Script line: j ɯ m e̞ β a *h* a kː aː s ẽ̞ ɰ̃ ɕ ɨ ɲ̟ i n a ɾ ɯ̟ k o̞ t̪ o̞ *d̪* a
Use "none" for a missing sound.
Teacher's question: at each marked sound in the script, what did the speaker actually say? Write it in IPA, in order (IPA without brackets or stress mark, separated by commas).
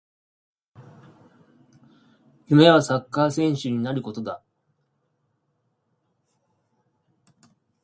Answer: s, d̪